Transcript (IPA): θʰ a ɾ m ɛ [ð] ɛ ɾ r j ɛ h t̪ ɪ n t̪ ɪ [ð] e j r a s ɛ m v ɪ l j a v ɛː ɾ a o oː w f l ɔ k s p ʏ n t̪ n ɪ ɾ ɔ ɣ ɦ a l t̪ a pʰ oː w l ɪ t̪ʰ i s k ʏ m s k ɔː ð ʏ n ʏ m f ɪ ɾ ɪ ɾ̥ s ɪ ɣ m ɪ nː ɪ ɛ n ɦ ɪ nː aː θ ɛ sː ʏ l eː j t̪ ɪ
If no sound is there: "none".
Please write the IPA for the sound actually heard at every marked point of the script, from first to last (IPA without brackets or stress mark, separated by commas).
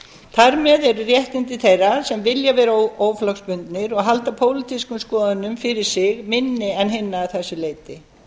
ð, θ